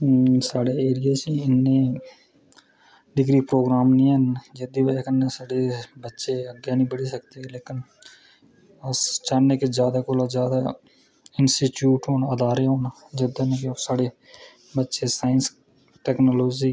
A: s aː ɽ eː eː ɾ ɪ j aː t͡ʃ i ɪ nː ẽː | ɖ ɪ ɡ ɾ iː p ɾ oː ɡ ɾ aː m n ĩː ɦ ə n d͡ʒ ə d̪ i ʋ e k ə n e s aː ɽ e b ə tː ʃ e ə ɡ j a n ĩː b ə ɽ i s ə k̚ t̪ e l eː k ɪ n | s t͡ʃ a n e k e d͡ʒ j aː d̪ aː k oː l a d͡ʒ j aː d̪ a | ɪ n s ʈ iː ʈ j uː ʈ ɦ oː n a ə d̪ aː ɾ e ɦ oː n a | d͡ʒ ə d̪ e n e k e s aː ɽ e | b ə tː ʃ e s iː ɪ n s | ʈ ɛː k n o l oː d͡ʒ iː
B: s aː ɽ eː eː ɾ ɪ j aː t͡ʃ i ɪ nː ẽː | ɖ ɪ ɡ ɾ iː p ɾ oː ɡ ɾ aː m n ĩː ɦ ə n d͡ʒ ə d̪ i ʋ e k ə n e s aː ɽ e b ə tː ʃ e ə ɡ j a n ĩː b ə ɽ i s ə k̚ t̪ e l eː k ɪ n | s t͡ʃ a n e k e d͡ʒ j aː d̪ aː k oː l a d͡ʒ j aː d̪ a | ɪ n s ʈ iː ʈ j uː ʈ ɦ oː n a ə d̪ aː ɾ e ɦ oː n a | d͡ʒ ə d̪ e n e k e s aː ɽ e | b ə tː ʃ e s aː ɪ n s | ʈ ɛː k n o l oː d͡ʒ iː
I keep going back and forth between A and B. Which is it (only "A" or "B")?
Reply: B